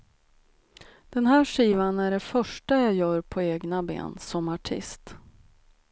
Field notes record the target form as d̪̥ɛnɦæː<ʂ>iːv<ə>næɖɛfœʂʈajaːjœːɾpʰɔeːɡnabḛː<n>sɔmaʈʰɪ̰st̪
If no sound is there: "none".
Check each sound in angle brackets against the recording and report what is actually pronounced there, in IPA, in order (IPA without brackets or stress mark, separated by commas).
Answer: ʂ, a, n